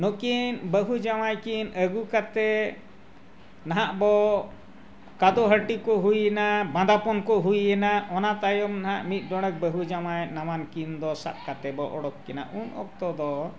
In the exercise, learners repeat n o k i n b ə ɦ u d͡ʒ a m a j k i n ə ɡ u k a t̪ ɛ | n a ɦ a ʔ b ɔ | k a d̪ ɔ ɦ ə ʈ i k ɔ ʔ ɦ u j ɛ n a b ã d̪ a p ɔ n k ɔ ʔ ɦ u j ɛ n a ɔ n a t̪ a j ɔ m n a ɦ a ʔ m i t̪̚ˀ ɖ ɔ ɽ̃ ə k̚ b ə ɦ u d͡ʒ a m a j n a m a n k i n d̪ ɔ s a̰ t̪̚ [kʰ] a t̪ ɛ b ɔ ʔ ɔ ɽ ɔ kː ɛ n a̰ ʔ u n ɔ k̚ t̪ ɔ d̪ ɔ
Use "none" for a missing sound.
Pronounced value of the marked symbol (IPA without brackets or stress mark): k